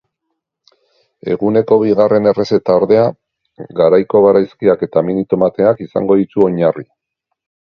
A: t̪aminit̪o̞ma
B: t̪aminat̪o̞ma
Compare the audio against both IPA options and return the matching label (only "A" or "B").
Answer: A